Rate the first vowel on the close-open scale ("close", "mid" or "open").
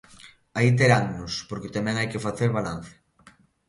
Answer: open